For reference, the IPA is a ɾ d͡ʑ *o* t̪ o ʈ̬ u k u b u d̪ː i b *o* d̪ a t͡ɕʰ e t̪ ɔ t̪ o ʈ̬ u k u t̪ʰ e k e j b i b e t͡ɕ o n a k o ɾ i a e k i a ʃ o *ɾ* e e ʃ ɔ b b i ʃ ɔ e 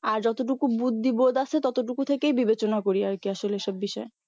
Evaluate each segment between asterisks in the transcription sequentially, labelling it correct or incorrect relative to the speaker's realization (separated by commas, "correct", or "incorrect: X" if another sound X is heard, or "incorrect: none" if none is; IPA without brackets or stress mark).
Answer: incorrect: ɔ, correct, incorrect: l